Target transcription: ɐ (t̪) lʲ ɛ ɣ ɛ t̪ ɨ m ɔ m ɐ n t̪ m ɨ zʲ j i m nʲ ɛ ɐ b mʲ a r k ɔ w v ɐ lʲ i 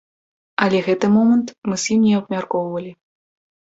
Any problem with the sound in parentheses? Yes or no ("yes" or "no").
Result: yes